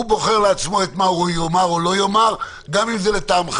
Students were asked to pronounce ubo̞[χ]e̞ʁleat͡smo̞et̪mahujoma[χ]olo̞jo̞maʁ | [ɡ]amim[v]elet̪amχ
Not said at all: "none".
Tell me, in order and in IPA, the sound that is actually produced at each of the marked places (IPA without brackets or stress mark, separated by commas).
χ, ʁ, ɡ, z